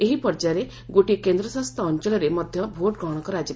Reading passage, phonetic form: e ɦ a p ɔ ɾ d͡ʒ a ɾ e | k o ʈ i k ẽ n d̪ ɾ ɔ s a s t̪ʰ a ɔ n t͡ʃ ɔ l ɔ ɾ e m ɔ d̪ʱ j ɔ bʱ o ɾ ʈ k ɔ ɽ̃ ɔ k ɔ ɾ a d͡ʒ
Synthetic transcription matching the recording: e ɦ i p ɔ ɾ d͡ʒ a ɾ e | ɡ o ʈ i k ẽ n d̪ ɾ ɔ s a s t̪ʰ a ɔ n t͡ʃ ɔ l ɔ ɾ e m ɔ d̪ʱ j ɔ bʱ o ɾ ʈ ɡ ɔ ɽ̃ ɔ k ɔ ɾ a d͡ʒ